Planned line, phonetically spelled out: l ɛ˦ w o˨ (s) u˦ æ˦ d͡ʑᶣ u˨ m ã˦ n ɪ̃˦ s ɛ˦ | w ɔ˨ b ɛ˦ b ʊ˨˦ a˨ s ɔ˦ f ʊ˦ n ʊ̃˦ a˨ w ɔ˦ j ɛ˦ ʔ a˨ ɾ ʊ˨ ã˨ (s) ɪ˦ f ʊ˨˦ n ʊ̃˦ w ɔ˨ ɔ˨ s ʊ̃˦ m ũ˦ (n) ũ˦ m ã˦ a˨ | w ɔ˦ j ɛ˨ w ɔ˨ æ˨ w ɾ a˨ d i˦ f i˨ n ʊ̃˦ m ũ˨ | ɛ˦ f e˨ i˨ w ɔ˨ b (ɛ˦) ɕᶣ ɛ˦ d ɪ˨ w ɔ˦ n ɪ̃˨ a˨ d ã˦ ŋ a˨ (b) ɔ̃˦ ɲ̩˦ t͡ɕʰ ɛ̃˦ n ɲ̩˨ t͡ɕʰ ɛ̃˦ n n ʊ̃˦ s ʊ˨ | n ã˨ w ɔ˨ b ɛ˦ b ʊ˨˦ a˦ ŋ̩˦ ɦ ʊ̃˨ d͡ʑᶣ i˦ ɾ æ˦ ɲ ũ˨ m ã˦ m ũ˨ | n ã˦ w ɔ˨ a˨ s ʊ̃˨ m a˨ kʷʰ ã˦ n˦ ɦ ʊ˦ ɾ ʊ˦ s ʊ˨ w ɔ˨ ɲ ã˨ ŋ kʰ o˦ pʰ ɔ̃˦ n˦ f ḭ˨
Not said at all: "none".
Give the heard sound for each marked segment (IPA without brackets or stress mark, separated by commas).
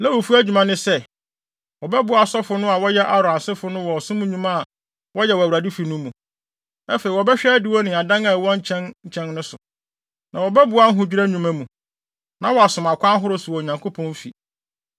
f, s, ɲ, ɛ˦, w